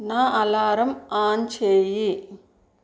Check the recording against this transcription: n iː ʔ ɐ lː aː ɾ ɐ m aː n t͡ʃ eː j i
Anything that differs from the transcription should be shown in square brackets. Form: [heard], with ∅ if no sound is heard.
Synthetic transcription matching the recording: n [aː] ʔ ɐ [l] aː ɾ ɐ m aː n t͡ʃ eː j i